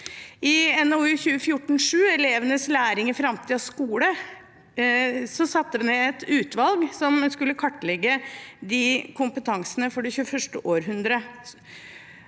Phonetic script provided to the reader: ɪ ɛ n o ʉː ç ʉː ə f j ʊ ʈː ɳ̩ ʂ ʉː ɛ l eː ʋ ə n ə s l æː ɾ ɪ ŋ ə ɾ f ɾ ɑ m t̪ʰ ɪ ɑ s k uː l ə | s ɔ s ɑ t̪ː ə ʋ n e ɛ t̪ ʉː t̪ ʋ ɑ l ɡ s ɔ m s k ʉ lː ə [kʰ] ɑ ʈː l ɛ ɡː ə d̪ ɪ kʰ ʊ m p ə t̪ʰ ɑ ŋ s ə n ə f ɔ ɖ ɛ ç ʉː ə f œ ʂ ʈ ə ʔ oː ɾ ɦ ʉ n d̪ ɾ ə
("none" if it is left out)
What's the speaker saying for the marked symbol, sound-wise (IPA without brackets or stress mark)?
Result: kʰ